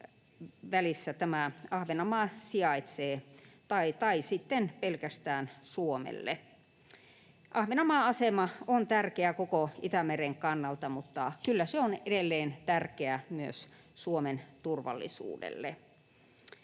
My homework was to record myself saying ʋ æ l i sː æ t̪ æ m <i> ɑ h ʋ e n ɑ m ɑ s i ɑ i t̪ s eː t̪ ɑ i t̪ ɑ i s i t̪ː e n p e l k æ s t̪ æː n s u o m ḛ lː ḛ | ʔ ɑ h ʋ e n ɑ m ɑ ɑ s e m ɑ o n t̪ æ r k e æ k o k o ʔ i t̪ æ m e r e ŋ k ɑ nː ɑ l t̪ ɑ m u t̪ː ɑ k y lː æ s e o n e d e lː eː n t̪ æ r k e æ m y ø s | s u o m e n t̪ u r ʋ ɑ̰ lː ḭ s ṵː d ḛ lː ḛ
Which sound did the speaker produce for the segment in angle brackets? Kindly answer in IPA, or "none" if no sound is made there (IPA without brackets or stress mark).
æ